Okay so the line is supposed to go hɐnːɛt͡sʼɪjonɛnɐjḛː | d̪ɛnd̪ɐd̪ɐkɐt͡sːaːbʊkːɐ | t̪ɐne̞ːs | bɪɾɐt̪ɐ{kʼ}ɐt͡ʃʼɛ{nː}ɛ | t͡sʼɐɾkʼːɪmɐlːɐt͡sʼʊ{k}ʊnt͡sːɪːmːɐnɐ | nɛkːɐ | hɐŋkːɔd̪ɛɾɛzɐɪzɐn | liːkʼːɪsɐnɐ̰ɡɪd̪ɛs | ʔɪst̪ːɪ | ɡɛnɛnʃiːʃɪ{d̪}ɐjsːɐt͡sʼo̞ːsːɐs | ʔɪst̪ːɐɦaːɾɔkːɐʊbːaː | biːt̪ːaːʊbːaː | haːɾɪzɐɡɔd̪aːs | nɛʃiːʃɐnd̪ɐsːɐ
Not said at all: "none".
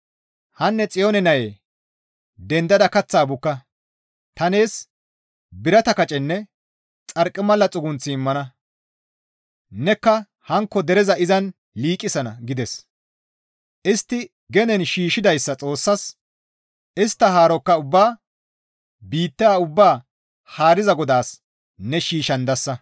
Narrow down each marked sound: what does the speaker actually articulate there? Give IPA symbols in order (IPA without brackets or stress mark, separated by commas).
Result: k, nː, ɡ, d̪